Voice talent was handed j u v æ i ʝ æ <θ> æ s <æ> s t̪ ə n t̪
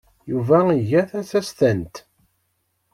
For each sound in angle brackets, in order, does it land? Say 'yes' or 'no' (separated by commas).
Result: yes, yes